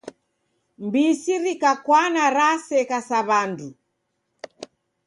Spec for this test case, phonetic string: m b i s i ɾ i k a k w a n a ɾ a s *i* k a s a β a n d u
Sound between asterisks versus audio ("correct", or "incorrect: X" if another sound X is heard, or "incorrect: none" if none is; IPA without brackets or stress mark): incorrect: ɛ